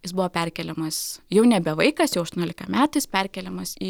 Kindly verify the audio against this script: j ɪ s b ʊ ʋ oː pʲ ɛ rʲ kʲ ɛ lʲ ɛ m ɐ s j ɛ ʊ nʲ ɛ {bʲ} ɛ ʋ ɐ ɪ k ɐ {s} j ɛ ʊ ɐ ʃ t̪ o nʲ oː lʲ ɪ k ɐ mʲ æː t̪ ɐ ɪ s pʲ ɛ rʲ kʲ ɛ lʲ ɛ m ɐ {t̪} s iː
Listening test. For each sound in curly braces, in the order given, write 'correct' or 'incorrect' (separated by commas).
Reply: correct, correct, incorrect